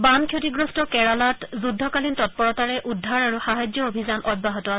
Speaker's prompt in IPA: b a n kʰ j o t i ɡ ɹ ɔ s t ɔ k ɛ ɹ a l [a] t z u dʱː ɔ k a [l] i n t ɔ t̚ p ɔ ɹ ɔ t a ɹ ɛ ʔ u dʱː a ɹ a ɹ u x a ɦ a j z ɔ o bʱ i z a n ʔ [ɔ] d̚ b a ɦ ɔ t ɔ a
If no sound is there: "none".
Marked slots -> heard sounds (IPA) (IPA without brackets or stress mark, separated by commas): a, l, ɔ